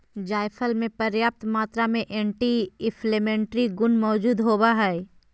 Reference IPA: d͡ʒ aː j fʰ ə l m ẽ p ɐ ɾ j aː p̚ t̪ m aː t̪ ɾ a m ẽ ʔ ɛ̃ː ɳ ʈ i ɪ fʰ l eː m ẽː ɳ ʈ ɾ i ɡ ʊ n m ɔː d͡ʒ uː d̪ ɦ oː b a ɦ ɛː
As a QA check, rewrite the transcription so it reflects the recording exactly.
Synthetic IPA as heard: d͡ʒ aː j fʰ ə l m ẽ p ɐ ɾ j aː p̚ t̪ m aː t̪ ɾ a m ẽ ʔ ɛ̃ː ɳ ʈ i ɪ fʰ l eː m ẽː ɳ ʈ ɾ i ɡ ʊ n m ɔː d͡ʒ uː d̪ ɦ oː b a ɦ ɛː